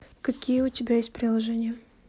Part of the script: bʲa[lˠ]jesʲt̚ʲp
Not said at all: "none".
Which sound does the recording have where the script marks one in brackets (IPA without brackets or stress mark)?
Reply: none